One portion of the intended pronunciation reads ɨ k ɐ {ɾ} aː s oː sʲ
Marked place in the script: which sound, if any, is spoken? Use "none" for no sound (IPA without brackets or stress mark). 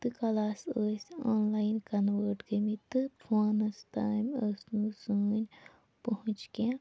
l